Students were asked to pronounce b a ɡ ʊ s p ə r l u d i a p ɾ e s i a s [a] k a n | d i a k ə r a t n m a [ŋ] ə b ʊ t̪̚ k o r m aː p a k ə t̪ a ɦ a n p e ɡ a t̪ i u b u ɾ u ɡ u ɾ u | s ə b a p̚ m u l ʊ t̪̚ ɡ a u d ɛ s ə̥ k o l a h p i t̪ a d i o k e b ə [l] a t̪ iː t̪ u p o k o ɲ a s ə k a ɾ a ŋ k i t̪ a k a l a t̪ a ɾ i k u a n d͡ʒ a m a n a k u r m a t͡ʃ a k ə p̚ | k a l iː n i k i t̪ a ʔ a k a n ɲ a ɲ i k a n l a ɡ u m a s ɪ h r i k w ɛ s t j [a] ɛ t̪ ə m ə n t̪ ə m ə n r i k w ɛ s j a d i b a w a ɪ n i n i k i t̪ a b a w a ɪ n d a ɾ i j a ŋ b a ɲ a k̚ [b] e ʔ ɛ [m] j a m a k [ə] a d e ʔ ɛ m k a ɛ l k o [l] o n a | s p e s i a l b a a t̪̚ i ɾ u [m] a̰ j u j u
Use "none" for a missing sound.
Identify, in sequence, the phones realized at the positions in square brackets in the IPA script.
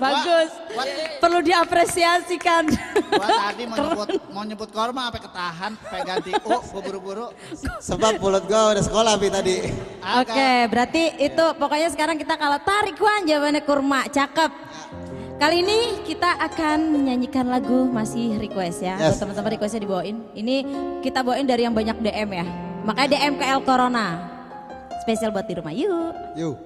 i, ɲ, ɾ, a, d, m, a, ɾ, m

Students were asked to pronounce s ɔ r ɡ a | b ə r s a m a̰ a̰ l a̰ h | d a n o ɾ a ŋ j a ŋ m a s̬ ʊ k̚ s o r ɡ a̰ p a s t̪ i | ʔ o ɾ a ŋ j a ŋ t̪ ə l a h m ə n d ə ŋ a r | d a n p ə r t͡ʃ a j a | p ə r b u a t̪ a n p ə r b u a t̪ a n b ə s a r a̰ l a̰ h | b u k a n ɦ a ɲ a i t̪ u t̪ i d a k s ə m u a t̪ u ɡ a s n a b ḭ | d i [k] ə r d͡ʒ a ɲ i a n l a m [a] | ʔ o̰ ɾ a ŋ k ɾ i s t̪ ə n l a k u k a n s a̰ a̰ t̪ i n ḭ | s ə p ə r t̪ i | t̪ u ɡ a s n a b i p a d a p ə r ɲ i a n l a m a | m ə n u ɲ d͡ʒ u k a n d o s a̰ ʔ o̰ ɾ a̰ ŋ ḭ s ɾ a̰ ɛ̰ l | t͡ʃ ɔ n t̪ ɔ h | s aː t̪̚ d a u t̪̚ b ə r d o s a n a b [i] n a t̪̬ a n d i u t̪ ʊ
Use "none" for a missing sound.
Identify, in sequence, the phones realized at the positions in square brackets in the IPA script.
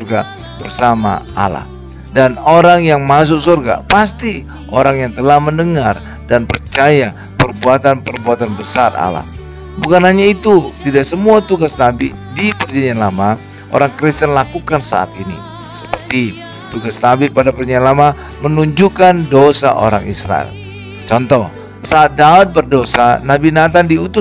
p, a, i

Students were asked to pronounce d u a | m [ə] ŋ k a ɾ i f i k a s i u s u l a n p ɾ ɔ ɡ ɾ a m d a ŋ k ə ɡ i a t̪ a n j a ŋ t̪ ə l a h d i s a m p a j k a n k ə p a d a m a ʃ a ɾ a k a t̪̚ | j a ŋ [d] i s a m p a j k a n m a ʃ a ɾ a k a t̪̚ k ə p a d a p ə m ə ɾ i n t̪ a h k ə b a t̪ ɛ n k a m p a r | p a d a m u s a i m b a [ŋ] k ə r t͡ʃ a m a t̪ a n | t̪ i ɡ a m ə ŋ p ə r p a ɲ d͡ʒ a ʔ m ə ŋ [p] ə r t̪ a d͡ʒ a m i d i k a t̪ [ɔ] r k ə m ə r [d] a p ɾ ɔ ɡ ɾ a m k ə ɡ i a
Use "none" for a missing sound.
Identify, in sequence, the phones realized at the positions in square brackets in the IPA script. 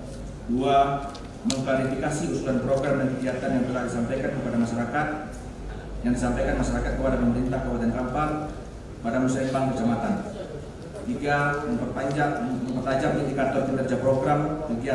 ə, d, ŋ, p, ɔ, d͡ʒ

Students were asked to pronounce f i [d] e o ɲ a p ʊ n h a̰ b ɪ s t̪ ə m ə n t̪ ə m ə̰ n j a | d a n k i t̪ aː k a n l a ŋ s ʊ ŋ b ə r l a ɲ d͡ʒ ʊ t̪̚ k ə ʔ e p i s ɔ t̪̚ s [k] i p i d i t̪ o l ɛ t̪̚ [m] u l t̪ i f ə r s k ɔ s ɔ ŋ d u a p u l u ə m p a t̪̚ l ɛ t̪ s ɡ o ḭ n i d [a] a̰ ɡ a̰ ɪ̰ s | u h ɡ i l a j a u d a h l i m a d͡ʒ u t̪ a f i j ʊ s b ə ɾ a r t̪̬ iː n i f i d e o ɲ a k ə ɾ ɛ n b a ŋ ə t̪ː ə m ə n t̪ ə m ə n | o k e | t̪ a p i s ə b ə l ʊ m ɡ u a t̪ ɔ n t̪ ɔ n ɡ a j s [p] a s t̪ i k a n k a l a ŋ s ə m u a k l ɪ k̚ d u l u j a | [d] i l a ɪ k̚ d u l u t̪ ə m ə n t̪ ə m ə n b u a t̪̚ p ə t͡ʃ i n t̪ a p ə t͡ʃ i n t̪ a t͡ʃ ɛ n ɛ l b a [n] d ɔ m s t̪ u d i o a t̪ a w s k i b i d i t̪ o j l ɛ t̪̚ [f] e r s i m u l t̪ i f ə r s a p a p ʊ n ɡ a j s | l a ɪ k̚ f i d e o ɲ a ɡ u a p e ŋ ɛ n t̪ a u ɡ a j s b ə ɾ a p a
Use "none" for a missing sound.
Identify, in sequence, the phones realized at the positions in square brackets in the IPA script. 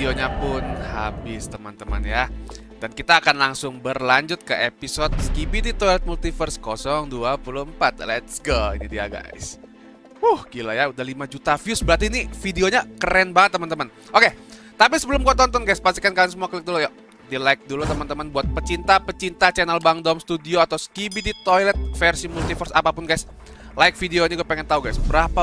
d, k, m, i, p, d, ŋ, f

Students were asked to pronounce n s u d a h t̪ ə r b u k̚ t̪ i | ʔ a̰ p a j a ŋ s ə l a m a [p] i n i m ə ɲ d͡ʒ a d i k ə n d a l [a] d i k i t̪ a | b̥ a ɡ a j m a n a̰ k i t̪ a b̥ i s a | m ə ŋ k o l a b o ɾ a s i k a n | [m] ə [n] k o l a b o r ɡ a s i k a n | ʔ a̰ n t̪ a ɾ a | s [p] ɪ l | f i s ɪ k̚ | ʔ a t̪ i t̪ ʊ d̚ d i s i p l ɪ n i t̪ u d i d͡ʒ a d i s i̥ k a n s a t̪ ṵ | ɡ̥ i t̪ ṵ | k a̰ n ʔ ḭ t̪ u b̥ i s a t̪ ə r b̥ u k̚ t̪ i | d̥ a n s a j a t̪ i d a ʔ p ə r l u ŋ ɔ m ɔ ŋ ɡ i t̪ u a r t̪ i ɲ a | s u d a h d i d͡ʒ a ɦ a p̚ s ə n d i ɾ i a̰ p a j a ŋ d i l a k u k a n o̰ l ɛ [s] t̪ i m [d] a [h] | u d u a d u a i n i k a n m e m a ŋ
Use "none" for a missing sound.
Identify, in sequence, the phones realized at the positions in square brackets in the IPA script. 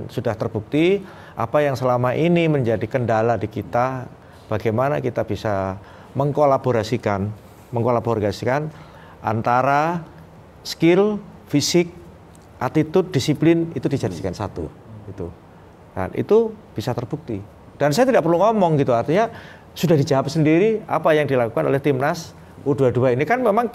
ʔ, a, m, ŋ, k, h, n, s

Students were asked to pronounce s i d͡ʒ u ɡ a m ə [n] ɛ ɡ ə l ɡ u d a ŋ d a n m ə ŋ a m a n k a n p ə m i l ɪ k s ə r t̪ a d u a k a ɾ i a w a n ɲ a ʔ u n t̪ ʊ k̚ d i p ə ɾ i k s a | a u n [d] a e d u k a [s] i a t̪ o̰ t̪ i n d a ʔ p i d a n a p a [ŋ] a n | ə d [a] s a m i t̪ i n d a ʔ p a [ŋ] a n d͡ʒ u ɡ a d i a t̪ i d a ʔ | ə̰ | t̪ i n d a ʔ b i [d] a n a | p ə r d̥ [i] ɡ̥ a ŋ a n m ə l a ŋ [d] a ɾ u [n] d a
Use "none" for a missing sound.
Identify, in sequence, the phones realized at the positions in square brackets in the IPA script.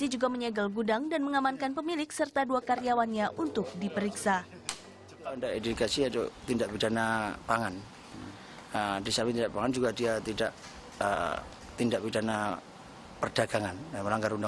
ɲ, d, s, ŋ, i, ŋ, d, a, ɡ, n

